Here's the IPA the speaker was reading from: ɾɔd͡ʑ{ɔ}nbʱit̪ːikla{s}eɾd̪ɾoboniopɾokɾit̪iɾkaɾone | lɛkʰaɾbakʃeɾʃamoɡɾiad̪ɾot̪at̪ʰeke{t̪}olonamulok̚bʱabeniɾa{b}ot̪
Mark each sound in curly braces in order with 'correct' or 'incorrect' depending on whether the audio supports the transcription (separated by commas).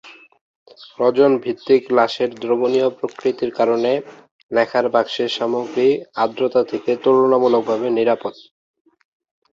incorrect, incorrect, correct, incorrect